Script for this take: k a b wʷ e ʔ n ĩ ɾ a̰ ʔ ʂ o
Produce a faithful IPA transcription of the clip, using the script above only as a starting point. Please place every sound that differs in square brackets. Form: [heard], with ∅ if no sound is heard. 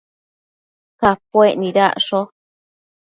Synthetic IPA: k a [p] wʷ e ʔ n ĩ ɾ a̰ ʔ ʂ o